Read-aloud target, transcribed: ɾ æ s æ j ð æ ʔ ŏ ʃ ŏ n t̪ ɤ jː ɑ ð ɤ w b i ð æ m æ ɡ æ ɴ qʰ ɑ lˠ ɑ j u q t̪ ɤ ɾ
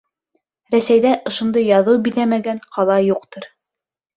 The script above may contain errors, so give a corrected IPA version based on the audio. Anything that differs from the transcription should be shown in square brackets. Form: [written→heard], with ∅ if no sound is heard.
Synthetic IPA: ɾ æ s æ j ð æ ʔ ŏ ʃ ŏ n [t̪→d̪] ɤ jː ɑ ð ɤ w b i ð æ m æ ɡ æ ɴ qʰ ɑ lˠ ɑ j u q t̪ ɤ ɾ